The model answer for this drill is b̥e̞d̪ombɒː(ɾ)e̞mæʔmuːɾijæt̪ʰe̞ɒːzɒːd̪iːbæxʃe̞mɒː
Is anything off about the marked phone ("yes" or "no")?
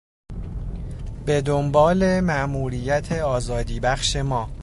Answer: yes